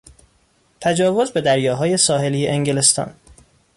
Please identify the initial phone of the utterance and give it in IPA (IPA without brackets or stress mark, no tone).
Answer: t̪ʰ